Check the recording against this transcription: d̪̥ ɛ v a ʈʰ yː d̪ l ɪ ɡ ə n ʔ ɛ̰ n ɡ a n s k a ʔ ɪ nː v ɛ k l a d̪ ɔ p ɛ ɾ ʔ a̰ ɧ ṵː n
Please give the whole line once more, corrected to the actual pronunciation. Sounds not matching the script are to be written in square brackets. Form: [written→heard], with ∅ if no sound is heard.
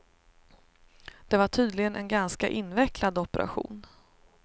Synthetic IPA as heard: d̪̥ ɛ v a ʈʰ yː d̪ l ɪ ɡ ə n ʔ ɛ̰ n ɡ a n s k a ʔ ɪ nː v ɛ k l a d̪ ɔ p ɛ ɾ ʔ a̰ ɧ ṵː n